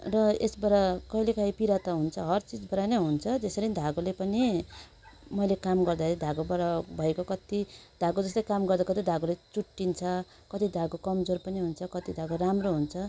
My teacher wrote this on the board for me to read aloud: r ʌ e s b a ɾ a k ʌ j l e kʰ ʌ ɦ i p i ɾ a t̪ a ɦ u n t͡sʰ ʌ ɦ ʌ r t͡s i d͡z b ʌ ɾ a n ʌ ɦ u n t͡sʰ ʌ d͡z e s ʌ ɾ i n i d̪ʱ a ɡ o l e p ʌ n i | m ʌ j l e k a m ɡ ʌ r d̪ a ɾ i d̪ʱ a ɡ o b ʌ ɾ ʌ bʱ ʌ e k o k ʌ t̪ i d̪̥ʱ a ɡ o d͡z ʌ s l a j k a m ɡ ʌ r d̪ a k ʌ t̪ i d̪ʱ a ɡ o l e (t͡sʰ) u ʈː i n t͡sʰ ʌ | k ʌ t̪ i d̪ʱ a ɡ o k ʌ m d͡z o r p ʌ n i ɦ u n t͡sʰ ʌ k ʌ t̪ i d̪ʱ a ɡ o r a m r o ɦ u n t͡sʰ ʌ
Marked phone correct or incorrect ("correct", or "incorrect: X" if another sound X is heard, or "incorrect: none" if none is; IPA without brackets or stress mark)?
incorrect: t͡s